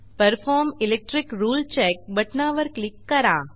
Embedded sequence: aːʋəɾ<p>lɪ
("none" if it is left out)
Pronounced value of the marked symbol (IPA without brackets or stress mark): k